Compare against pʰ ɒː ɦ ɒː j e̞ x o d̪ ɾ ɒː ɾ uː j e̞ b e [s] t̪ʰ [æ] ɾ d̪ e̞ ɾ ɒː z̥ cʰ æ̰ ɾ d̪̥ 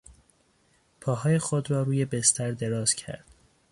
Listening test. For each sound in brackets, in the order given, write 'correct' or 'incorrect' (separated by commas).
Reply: correct, correct